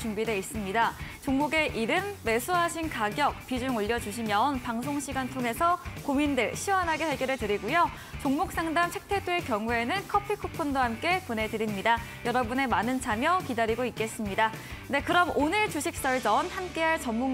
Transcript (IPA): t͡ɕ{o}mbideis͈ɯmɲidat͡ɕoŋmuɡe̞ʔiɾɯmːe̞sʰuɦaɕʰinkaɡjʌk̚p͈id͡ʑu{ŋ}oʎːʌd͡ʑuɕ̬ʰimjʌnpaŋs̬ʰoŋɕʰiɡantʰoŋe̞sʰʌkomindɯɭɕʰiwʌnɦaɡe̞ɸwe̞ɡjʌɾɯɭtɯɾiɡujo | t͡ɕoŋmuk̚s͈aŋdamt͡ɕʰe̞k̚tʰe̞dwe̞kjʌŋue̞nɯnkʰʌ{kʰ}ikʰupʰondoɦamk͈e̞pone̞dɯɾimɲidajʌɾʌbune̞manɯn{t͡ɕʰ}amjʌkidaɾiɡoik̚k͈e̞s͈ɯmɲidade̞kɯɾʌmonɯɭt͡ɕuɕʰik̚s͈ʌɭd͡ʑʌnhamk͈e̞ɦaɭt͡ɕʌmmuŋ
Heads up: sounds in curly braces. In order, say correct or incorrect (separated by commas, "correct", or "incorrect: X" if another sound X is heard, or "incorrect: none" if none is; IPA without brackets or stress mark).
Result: incorrect: u, correct, incorrect: pʰ, correct